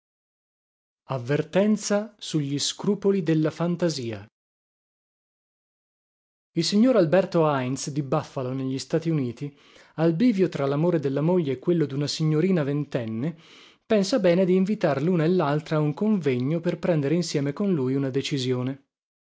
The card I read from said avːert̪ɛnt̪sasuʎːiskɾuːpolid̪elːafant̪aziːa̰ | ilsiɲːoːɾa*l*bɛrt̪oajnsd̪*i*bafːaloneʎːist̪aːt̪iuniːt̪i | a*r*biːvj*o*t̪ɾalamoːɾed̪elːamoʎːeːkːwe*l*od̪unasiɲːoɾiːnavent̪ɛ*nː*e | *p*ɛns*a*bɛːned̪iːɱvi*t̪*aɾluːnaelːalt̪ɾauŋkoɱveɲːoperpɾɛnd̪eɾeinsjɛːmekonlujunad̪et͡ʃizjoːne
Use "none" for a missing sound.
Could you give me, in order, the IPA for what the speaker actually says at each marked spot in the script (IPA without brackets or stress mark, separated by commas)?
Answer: l, i, l, o, lː, nː, p, a, t̪